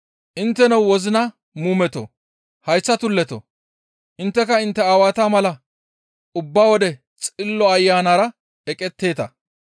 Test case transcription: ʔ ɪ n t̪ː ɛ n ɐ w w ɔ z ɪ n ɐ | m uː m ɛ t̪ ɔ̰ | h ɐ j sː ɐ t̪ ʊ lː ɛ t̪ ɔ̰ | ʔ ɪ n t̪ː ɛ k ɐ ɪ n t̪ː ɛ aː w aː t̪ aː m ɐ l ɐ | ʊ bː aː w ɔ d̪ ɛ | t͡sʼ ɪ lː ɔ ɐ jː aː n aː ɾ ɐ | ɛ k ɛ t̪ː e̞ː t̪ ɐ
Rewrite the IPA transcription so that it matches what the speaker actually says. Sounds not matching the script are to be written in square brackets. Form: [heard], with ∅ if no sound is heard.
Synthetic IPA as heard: ʔ ɪ n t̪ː ɛ n ɐ w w ɔ z ɪ n ɐ | m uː m ɛ t̪ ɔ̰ | h ɐ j sː ɐ t̪ ʊ lː ɛ t̪ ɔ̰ | ʔ ɪ n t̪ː ɛ k ɐ ɪ n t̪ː ɛ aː w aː t̪ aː m ɐ l ɐ | ʊ bː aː w ɔ d̪ ɛ | t͡sʼ ɪ lː ɔ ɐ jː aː n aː ɾ ɐ | ɛ [kʼ] ɛ t̪ː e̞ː t̪ ɐ